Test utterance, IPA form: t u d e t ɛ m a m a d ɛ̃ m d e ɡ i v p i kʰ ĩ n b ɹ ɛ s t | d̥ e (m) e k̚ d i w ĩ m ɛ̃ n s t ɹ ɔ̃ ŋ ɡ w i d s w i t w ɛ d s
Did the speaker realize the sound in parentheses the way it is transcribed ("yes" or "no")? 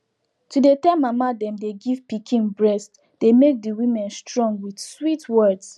yes